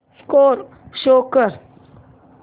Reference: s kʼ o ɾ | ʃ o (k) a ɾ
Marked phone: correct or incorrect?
correct